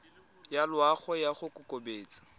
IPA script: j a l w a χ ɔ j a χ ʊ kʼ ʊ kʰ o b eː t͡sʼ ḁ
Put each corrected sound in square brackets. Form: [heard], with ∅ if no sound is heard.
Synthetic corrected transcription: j a l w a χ ɔ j a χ ʊ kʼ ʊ [k] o b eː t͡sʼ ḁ